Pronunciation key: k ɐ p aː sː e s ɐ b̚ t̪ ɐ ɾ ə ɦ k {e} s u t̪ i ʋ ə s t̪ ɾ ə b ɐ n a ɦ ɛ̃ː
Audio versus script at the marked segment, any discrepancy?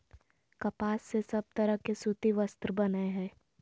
no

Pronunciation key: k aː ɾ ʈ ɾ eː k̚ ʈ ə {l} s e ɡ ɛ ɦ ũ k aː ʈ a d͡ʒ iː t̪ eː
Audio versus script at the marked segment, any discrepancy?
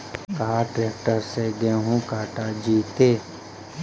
yes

